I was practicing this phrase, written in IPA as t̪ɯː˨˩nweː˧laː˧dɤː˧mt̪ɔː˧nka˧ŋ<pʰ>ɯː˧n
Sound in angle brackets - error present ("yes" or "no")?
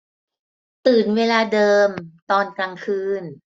yes